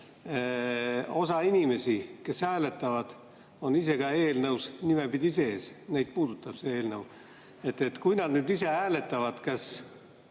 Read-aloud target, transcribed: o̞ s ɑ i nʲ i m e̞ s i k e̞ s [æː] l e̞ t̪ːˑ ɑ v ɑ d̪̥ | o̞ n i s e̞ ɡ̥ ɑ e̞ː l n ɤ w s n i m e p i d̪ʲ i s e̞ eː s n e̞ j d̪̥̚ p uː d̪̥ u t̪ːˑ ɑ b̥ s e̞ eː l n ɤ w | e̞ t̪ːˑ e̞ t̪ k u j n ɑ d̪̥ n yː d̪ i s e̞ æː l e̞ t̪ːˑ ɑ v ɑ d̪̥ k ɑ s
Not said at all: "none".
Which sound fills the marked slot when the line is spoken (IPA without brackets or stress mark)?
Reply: æː